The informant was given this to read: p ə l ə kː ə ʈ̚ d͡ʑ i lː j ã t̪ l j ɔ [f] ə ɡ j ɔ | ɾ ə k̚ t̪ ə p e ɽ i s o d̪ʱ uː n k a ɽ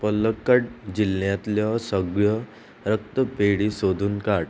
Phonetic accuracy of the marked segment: incorrect: s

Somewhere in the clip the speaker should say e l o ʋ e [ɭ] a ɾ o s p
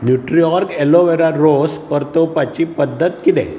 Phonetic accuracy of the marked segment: incorrect: ɾ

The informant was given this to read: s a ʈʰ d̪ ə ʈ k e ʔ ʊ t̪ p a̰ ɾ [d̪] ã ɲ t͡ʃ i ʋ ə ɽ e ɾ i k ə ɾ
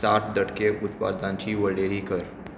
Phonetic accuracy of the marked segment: correct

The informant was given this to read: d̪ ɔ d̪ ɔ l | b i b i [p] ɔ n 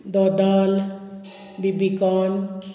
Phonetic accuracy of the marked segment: incorrect: k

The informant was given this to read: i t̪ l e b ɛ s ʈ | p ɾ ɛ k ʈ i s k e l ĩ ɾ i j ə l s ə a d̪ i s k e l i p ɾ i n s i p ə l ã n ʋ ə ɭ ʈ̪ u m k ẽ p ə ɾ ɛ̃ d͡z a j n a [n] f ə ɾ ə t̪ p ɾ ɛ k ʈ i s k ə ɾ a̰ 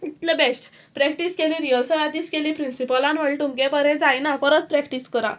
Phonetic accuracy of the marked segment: incorrect: none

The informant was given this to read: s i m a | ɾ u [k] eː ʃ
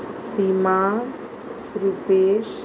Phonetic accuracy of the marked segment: incorrect: p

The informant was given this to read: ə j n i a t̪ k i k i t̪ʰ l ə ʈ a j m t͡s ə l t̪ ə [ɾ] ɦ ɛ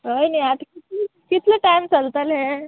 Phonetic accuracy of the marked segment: incorrect: l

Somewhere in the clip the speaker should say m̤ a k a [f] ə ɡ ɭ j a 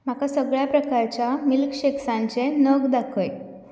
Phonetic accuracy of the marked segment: incorrect: s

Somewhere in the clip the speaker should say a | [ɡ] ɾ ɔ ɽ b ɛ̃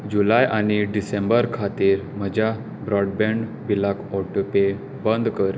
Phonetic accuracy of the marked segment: incorrect: b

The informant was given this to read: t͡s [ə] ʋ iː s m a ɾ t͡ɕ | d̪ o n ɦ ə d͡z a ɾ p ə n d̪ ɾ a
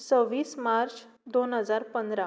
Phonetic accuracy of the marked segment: correct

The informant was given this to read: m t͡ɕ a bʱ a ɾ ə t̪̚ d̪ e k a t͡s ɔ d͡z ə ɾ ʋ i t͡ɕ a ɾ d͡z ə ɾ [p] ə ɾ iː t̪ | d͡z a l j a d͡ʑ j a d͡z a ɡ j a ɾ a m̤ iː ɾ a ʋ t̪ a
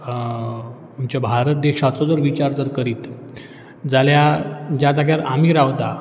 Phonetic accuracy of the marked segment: incorrect: k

